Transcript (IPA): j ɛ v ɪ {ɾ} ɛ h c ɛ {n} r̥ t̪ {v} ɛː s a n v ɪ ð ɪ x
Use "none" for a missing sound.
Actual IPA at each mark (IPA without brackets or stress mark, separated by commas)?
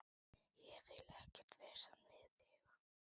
l, none, v